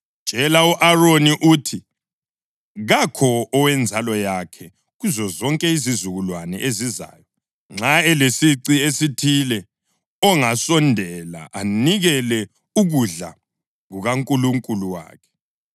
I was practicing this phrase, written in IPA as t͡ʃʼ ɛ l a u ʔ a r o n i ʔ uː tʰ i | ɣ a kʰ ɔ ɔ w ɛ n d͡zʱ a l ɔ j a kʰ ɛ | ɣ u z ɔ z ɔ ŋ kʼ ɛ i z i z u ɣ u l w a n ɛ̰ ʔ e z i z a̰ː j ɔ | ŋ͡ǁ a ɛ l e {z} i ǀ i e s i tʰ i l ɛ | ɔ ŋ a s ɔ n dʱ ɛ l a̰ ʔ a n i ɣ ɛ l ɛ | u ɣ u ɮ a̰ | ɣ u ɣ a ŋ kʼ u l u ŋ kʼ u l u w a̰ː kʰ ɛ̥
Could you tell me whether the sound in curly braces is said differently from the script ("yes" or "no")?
yes